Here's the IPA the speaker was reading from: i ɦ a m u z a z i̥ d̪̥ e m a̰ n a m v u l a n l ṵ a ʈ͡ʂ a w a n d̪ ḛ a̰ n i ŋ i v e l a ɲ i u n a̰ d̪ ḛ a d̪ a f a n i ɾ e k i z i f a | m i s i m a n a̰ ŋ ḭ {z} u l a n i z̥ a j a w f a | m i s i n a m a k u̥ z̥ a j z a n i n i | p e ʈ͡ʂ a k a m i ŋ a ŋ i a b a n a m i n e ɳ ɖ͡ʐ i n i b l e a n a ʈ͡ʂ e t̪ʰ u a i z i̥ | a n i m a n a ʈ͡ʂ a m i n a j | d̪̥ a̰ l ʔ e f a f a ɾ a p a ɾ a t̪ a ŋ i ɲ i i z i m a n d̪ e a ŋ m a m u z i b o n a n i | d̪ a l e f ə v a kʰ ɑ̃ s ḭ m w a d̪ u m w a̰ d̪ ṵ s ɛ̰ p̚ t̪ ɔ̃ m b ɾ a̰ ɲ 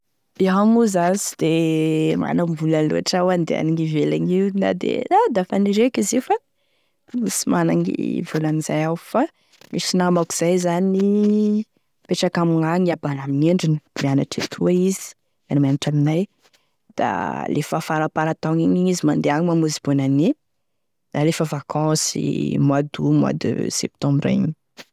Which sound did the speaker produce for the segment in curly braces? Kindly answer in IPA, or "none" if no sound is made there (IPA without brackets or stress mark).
v